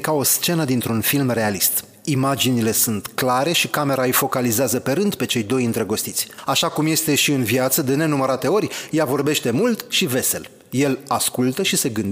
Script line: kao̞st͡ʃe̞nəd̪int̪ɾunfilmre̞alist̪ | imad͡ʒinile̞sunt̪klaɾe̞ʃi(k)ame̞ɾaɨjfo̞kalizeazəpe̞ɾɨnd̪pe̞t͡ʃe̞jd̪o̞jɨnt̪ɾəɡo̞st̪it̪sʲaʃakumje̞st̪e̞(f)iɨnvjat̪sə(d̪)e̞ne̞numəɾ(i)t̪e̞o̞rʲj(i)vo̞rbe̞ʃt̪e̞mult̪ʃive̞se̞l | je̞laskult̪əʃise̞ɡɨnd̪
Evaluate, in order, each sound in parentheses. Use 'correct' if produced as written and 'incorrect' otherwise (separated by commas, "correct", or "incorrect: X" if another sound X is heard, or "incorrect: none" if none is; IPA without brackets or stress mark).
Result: correct, incorrect: ʃ, correct, incorrect: a, incorrect: a